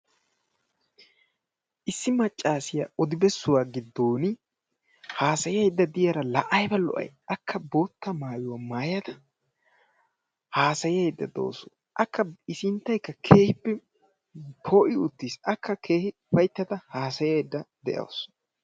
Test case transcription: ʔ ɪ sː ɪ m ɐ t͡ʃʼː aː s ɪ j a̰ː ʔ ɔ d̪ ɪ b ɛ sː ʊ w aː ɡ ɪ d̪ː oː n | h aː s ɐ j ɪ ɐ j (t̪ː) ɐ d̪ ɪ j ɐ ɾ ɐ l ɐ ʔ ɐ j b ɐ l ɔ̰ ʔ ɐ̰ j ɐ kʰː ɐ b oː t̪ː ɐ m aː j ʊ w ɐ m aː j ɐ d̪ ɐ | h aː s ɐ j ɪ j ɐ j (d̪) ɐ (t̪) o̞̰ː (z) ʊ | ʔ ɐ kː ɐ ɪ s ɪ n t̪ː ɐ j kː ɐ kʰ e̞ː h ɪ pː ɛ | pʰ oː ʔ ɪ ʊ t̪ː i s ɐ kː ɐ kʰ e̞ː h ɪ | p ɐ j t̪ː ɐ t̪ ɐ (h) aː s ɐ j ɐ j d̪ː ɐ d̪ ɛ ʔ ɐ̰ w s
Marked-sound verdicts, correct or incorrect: incorrect: d̪ː, incorrect: d̪ː, incorrect: d̪, incorrect: s, correct

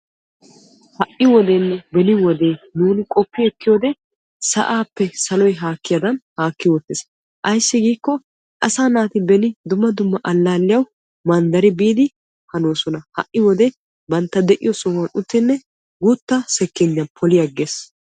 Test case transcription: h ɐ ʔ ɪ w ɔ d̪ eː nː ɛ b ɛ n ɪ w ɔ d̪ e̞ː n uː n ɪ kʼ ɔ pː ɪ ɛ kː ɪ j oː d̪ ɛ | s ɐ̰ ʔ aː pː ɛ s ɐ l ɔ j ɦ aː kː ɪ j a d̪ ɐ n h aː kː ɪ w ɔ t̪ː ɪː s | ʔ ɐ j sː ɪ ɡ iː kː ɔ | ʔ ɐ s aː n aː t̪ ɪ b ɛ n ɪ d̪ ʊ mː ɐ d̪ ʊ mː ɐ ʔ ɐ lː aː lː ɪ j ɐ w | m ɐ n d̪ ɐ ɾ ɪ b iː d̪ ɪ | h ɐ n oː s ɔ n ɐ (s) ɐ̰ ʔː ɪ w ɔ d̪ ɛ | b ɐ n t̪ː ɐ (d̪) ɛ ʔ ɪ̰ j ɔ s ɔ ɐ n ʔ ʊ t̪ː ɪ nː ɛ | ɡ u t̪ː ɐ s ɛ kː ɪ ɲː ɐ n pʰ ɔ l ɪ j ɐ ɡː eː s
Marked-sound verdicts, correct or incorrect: incorrect: h, correct

